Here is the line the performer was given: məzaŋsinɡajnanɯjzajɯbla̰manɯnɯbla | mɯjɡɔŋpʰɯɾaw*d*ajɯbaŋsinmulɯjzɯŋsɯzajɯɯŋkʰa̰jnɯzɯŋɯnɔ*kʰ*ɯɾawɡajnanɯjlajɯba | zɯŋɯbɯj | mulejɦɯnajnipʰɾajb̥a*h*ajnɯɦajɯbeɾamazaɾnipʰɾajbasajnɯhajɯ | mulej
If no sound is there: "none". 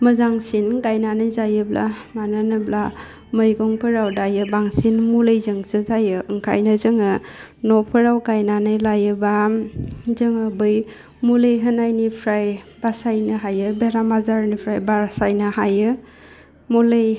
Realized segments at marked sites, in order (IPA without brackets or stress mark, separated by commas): d, pʰ, s